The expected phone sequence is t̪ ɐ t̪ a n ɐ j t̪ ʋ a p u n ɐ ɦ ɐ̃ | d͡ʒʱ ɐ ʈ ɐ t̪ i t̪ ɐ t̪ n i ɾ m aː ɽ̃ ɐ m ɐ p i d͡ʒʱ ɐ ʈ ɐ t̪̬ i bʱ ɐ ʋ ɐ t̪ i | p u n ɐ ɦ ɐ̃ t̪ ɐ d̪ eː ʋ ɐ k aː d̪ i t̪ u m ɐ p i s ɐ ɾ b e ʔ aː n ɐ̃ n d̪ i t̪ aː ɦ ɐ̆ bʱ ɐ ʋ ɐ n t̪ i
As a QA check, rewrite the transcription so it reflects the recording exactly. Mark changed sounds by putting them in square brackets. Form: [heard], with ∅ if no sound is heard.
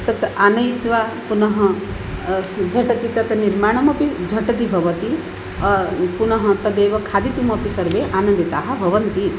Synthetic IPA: t̪ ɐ t̪ a n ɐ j t̪ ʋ a p u n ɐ ɦ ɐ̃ | d͡ʒʱ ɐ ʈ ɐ t̪ i t̪ ɐ t̪ n i ɾ m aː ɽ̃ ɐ m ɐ p i d͡ʒʱ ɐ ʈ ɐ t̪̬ i bʱ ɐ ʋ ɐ t̪ i | p u n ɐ ɦ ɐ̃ t̪ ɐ d̪ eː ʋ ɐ [kʰ] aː d̪ i t̪ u m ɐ p i s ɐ ɾ b e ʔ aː n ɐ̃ n d̪ i t̪ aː ɦ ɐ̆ bʱ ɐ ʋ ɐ n t̪ i